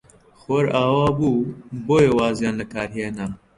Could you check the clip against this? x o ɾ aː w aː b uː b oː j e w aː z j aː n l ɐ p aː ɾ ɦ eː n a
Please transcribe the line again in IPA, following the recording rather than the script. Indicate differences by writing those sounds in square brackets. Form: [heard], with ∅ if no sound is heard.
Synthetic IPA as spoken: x o ɾ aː w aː b uː b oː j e w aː z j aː n l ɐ [k] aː ɾ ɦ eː n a